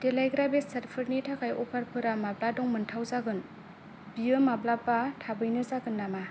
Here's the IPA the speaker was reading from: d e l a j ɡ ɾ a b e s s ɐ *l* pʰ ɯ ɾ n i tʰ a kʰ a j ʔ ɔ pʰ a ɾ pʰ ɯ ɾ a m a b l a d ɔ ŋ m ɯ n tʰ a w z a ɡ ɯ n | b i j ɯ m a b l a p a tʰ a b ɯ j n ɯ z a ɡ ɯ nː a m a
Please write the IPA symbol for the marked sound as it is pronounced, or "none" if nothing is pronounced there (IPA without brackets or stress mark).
ɾ